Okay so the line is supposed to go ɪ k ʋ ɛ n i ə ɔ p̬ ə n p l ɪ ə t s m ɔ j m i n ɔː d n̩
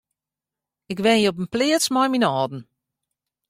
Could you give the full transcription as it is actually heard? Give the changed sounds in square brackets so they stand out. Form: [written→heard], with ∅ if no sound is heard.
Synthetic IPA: ɪ k ʋ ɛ n [i→j] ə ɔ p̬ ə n p l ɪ ə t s m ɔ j m i n ɔː d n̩